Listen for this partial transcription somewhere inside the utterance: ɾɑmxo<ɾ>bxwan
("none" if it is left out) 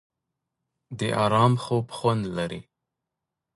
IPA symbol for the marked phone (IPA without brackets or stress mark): none